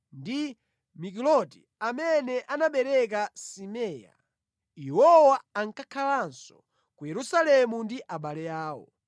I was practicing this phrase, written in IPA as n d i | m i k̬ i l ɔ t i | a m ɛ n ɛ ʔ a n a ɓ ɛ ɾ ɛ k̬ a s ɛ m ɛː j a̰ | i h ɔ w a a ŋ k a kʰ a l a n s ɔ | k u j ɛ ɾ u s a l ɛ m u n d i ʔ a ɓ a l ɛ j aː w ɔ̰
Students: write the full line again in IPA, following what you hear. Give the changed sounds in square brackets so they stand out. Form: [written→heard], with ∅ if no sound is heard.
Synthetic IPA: n d i | m i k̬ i l ɔ t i | a m ɛ n ɛ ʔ a n a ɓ ɛ ɾ ɛ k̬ a s [ɛ→i] m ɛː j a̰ | i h ɔ w a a ŋ k a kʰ a l a n s ɔ | k u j ɛ ɾ u s a l ɛ m u n d i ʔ a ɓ a l ɛ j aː w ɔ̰